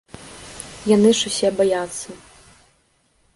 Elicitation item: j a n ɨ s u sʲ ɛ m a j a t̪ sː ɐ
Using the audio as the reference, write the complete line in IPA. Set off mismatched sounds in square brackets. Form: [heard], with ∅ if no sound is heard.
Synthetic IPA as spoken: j a n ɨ [ʂ] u sʲ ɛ [b] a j a t̪ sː ɐ